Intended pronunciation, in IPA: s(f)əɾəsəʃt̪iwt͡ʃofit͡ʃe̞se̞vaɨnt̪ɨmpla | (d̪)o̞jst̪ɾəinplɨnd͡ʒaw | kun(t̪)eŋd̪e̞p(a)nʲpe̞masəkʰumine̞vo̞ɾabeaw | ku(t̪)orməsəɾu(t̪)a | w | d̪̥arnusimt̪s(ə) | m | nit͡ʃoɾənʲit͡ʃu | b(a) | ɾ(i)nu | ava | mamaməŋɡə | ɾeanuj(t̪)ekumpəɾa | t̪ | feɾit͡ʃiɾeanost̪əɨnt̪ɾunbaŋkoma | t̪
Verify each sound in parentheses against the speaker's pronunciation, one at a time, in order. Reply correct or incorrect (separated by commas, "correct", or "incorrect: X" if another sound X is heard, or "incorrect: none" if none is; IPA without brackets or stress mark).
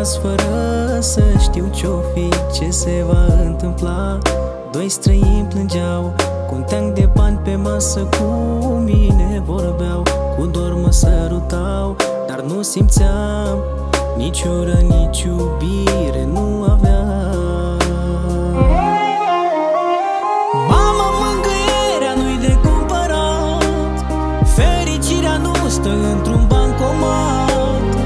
correct, correct, correct, correct, incorrect: d̪, correct, incorrect: a, incorrect: i, incorrect: e, incorrect: d̪